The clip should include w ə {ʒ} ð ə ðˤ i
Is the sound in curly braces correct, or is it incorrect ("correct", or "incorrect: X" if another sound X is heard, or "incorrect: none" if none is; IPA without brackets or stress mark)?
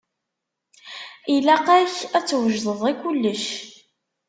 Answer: correct